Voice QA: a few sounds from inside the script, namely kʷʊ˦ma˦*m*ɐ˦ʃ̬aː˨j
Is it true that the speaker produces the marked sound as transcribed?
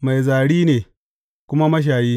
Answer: yes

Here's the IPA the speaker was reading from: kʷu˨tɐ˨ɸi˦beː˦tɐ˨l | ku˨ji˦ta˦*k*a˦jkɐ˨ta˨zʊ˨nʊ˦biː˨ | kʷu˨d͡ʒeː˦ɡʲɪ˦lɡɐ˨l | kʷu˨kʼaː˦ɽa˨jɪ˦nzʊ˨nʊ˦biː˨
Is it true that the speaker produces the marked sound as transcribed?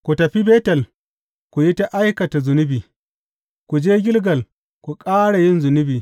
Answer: no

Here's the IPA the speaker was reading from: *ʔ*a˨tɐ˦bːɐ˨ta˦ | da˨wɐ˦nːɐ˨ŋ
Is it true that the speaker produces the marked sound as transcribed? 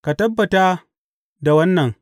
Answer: no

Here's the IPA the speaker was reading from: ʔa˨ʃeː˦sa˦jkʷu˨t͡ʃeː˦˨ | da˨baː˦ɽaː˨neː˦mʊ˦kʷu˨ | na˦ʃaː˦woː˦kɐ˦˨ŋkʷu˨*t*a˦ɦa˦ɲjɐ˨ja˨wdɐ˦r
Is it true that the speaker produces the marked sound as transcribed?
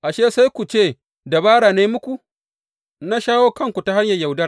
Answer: yes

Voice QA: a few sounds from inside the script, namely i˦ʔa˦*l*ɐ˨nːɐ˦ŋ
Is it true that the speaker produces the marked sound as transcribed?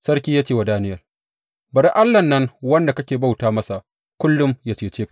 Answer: no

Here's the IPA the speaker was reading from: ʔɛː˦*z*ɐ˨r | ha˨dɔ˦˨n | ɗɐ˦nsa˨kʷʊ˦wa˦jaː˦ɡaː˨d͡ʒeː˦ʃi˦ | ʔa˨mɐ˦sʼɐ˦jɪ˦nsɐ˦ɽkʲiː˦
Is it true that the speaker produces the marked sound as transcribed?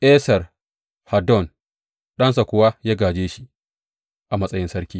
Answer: no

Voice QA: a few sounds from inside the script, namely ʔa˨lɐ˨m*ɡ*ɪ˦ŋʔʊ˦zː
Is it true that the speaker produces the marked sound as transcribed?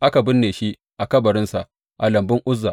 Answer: no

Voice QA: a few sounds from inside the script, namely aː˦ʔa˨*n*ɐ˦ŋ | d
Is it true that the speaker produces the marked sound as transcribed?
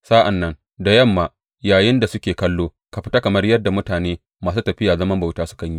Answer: no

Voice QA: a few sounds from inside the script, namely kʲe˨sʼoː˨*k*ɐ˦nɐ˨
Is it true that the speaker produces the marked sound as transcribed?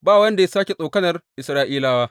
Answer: yes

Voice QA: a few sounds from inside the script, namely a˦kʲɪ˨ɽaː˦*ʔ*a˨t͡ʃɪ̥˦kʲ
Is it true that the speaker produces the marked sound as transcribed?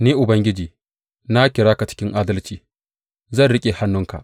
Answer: no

